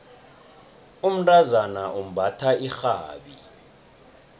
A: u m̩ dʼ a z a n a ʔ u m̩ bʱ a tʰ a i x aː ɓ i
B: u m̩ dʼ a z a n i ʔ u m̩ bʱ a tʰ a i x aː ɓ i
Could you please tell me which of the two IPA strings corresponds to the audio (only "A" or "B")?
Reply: A